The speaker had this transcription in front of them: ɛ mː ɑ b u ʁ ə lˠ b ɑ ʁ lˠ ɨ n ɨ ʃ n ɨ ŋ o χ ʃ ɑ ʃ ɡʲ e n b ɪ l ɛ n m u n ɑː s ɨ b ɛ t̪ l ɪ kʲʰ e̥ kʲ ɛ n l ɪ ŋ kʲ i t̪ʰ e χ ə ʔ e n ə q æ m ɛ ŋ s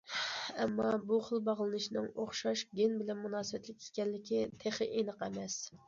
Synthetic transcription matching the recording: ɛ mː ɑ b u χ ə lˠ b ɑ ʁ lˠ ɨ n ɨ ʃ n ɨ ŋ o χ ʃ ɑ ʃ ɡʲ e n b ɪ l ɛ n m u n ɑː s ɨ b ɛ t̪ l ɪ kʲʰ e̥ kʲ ɛ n l ɪ kʲ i t̪ʰ e χ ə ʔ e n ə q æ m ɛ s